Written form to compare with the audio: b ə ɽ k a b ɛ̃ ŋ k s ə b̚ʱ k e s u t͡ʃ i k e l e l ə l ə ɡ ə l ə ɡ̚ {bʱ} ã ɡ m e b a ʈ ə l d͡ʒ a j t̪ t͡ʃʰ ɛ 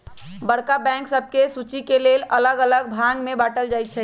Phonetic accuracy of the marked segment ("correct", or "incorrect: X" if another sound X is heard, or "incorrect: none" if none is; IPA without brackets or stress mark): correct